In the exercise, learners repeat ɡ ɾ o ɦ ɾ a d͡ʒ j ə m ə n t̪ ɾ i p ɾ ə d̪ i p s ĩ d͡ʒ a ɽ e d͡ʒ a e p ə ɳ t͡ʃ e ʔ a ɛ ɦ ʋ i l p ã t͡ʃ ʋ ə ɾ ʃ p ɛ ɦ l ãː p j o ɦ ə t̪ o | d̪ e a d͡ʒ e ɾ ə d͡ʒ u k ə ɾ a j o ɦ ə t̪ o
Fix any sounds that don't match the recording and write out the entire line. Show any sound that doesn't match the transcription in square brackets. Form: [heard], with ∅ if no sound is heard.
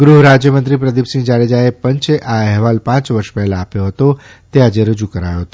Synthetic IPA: ɡ ɾ [u] ɦ ɾ a d͡ʒ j ə m ə n t̪ ɾ i p ɾ ə d̪ i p s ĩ d͡ʒ a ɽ e d͡ʒ a e p ə [ɲ] t͡ʃ e ʔ a ɛ ɦ ʋ [a] l p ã t͡ʃ ʋ ə ɾ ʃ p ɛ ɦ l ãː p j o ɦ ə t̪ o | [t̪] e a d͡ʒ e ɾ ə d͡ʒ u k ə ɾ a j o ɦ ə t̪ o

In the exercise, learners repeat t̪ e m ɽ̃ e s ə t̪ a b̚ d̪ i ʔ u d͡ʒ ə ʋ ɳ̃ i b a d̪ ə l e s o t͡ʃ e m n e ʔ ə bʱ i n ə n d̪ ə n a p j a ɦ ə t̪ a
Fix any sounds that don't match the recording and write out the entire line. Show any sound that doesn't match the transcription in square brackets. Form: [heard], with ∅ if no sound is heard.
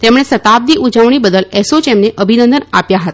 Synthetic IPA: t̪ e m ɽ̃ e s ə t̪ a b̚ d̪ i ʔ u d͡ʒ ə ʋ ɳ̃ i b [ə] d̪ ə l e s o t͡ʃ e m n e ʔ ə bʱ i n ə n d̪ ə n a p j a ɦ ə t̪ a

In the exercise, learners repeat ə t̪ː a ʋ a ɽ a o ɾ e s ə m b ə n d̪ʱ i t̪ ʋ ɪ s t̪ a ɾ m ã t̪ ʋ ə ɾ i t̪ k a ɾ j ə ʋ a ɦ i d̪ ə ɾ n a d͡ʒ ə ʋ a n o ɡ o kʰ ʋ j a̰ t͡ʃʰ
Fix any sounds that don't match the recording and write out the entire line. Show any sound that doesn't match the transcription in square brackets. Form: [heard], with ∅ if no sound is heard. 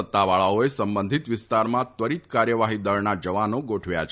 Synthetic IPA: ə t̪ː a ʋ a [ɭ] a o [∅] e s ə m b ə n d̪ʱ i t̪ ʋ ɪ s t̪ a ɾ m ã t̪ ʋ ə ɾ i t̪ k a ɾ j ə ʋ a ɦ i d̪ ə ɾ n a d͡ʒ ə ʋ a n o ɡ o [ʈʰ] ʋ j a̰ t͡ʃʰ

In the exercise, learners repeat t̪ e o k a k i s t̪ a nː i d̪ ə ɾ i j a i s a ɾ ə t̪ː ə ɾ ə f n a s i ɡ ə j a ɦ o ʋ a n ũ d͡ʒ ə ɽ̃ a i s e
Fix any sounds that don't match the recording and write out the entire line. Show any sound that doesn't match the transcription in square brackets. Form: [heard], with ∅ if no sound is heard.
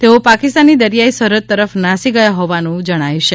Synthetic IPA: t̪ e o [p] a k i s t̪ a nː i d̪ ə ɾ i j a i s [ə] ɾ ə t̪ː ə ɾ ə f n a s i ɡ ə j a ɦ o ʋ a n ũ d͡ʒ ə ɽ̃ a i [ʃ] e

